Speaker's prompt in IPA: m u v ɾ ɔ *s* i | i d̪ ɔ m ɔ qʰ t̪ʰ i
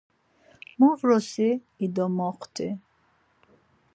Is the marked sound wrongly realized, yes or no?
no